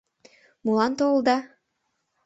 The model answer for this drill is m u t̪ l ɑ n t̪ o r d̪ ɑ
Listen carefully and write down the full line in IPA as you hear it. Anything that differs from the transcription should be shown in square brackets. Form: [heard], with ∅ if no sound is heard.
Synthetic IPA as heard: m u [∅] l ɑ n t̪ o [l] d̪ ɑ